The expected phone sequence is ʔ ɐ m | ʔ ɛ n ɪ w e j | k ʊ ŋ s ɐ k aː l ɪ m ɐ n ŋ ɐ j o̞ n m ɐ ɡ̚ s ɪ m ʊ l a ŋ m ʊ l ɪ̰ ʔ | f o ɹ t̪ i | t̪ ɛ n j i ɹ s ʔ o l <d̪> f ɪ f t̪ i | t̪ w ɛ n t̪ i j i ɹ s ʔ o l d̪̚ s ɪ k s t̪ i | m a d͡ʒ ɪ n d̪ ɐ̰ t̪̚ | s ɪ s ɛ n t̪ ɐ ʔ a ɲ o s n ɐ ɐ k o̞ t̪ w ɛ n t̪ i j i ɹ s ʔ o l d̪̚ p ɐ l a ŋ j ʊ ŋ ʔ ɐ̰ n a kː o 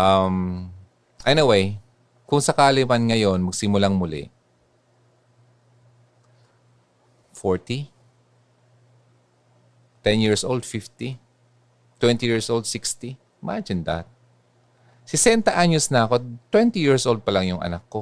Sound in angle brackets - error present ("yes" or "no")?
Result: no